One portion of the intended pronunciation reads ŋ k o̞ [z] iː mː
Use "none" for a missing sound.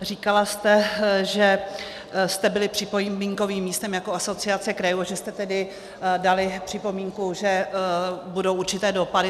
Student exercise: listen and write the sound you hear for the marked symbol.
v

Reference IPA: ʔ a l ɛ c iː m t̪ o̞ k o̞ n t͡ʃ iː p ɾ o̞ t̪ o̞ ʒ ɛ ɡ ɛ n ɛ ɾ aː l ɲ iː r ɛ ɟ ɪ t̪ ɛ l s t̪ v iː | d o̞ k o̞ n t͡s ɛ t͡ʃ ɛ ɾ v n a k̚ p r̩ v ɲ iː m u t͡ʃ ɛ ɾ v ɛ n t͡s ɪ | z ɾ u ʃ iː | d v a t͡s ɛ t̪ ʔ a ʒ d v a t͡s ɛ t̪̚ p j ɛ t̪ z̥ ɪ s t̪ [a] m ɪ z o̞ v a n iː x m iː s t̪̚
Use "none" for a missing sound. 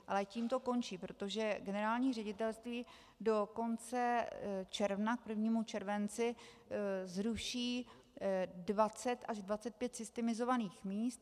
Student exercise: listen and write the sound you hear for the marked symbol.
ɛ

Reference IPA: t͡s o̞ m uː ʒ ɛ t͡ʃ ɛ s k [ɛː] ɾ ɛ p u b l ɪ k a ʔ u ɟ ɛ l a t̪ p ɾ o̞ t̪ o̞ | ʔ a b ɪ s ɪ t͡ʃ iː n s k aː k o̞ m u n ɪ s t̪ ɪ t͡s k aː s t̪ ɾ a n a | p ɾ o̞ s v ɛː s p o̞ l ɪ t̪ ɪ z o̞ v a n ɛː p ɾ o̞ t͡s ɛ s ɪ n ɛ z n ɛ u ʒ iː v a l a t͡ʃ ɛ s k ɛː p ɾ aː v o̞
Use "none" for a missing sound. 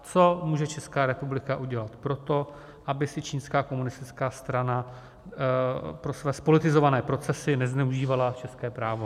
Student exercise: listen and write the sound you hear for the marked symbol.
aː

